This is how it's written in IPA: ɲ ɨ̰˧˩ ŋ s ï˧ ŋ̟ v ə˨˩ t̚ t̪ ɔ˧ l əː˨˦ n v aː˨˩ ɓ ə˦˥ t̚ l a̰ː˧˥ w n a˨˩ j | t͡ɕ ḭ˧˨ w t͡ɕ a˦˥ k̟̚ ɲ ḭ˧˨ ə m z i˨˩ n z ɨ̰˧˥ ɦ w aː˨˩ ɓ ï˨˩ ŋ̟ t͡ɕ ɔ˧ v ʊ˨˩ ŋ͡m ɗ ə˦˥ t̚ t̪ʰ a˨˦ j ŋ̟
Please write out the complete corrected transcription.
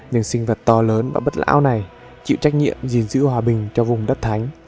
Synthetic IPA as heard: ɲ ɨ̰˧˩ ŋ s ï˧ ŋ̟ v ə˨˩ t̚ t̪ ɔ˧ l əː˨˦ n v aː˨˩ ɓ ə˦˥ t̚ l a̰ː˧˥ w n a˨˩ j | t͡ɕ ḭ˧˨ w t͡ɕ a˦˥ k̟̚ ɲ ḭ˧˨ ə m z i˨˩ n z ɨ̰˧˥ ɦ w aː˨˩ ɓ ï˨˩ ŋ̟ t͡ɕ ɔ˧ v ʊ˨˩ ŋ͡m ɗ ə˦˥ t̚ t̪ʰ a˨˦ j ŋ̟